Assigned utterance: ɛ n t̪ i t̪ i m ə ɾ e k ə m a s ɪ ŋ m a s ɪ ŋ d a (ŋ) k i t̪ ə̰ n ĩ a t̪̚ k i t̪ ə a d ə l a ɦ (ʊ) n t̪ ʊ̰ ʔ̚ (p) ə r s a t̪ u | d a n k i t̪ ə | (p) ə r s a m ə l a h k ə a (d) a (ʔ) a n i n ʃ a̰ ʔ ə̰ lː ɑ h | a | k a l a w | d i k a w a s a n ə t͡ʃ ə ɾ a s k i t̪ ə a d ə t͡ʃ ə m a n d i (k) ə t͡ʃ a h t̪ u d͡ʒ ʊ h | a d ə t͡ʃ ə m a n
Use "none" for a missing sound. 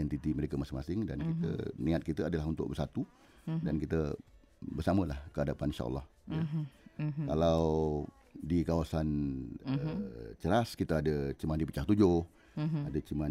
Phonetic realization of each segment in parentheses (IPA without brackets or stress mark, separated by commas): n, u, b, b, d, p, p